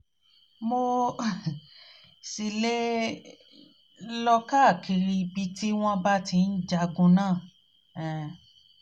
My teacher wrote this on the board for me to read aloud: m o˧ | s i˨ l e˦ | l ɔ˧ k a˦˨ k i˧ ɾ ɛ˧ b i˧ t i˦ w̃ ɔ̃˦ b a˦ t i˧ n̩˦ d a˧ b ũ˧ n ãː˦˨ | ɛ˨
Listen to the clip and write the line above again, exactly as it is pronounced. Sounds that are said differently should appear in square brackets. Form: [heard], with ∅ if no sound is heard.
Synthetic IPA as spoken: m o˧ | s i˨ l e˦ | l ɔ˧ k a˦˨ k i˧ ɾ [i˧] b i˧ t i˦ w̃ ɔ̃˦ b a˦ t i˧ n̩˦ [d͡ʒ] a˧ [ɡ] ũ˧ n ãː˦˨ | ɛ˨